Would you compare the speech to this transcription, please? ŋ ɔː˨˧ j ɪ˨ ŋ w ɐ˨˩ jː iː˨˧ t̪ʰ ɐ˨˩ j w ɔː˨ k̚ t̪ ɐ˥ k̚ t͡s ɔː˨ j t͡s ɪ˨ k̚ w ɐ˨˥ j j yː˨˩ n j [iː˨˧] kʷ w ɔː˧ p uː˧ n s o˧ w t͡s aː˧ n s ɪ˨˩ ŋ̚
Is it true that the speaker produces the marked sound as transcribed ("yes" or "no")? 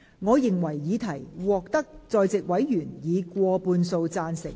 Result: yes